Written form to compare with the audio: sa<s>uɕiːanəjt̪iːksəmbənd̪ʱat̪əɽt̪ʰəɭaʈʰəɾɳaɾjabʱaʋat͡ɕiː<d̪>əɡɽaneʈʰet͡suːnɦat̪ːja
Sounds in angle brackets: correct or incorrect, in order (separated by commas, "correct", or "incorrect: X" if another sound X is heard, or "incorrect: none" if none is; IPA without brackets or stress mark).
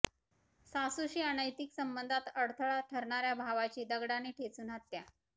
correct, correct